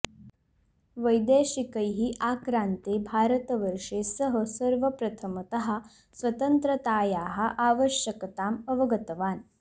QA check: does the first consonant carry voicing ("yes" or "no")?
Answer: yes